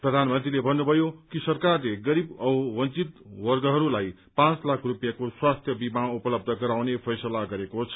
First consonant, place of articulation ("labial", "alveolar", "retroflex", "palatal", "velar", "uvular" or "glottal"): labial